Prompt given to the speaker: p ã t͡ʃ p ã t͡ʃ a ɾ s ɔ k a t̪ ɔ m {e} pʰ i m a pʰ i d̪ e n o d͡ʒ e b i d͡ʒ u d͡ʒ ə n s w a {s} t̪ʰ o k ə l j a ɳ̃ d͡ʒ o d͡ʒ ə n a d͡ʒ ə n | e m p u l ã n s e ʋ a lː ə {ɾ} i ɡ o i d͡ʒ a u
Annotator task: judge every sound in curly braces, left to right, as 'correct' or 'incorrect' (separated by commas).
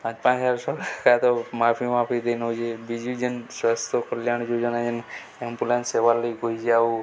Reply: incorrect, correct, incorrect